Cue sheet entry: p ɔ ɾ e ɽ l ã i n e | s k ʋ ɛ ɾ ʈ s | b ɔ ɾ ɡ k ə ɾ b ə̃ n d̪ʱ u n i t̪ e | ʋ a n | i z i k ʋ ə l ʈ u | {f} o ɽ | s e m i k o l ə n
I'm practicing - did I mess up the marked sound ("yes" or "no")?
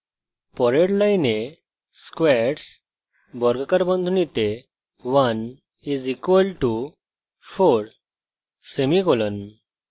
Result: no